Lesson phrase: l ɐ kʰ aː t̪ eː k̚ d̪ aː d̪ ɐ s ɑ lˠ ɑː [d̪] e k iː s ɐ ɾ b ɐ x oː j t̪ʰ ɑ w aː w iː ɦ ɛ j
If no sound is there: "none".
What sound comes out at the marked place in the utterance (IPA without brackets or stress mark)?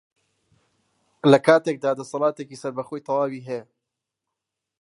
t̪